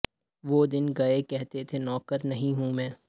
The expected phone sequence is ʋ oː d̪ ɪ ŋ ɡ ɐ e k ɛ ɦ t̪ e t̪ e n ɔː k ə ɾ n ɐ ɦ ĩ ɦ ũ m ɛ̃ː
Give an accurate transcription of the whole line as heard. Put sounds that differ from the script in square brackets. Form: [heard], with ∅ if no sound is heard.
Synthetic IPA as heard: ʋ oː d̪ ɪ [n] ɡ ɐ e k ɛ ɦ t̪ e [t̪ʰ] e n ɔː k ə ɾ n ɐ ɦ ĩ ɦ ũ m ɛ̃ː